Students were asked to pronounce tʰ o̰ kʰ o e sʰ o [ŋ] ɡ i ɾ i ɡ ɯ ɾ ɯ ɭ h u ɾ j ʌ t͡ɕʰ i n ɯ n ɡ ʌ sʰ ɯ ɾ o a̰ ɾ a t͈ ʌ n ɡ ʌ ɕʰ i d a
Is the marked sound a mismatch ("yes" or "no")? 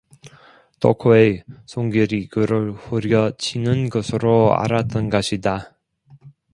no